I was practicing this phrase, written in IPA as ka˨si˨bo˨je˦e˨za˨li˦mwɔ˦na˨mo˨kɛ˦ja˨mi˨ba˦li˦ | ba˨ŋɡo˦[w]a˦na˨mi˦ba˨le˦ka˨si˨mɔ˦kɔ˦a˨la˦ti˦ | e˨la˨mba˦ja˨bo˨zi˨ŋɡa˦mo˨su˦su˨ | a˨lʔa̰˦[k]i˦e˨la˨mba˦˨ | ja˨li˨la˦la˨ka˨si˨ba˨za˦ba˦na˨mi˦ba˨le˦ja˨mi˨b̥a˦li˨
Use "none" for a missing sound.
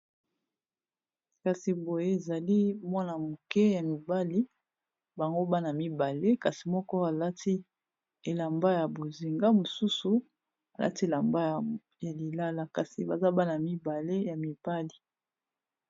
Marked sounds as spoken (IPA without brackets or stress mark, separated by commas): b, t